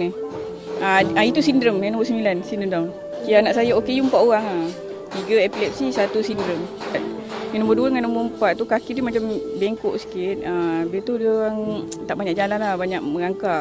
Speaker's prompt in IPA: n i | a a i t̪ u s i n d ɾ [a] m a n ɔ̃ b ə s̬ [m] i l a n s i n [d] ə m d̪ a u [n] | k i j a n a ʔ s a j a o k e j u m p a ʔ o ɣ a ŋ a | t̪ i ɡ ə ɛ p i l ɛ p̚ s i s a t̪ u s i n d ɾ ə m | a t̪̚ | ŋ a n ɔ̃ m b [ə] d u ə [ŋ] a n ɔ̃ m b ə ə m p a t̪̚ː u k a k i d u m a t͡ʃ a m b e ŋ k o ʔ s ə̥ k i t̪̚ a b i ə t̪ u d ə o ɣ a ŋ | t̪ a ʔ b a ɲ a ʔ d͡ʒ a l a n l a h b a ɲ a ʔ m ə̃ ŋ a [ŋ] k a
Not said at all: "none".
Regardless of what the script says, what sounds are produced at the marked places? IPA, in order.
ə, m, d, n, ə, ŋ, ŋ

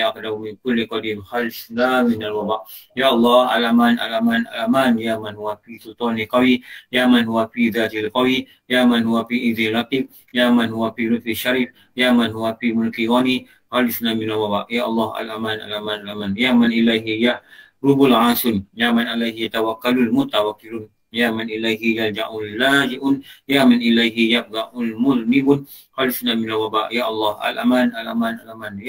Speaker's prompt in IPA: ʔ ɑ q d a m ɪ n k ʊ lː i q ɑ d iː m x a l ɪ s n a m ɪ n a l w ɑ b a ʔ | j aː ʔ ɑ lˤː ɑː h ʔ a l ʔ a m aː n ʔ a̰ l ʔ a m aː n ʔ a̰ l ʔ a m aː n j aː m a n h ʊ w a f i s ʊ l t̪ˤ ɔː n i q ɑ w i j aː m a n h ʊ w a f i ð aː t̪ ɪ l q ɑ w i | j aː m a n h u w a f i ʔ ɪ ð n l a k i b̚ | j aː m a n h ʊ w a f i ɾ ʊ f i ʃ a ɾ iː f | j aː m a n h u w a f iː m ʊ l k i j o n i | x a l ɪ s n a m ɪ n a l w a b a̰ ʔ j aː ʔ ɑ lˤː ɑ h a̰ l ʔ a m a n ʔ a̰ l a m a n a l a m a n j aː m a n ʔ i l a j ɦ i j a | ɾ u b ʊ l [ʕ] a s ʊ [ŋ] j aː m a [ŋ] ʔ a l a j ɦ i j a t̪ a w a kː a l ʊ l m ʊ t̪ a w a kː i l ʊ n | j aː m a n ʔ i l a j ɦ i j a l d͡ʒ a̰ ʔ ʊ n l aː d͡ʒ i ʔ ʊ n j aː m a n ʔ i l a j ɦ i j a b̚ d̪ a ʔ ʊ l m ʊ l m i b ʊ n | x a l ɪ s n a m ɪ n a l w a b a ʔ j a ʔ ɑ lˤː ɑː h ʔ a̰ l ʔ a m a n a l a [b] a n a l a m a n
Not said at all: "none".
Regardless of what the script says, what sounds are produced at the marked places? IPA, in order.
ʕ, n, n, m

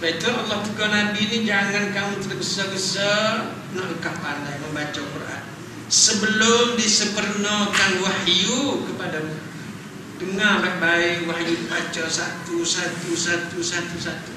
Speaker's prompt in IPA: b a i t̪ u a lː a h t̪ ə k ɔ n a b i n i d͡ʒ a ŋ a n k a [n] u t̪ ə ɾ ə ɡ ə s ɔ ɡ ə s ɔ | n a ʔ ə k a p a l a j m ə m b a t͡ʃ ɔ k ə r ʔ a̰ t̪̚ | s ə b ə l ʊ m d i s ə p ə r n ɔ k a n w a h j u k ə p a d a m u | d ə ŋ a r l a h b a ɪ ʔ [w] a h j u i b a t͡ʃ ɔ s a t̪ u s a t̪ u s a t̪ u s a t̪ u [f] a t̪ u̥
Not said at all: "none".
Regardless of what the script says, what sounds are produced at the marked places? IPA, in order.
m, w, s

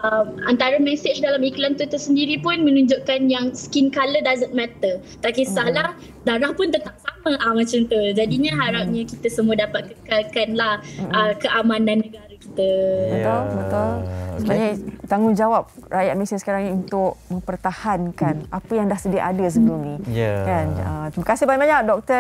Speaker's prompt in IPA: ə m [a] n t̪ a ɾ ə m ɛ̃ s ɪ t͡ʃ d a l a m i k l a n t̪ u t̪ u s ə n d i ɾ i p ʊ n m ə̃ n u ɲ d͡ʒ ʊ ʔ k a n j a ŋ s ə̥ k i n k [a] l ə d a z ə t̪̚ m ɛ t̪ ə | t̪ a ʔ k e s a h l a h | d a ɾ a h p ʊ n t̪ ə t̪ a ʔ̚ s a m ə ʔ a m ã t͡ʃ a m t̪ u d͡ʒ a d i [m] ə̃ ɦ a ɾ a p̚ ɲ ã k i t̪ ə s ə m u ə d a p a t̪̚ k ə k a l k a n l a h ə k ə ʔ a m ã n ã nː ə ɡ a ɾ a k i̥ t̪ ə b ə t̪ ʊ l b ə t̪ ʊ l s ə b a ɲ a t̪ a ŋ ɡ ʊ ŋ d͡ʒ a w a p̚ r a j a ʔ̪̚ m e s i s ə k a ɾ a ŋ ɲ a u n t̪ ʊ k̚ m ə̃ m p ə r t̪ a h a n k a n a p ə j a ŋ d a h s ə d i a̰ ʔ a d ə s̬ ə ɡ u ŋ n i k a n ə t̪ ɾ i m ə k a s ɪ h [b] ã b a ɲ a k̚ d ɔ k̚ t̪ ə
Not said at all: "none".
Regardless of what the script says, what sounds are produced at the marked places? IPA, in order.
a, a, ɲ, b

